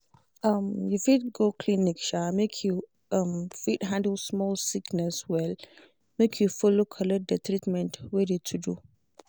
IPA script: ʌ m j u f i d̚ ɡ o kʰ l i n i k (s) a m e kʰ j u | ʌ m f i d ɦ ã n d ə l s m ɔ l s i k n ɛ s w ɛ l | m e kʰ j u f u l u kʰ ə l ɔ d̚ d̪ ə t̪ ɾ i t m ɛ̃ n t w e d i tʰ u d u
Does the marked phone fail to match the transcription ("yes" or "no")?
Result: yes